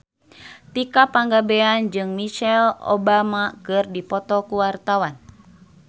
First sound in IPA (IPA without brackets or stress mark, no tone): t̪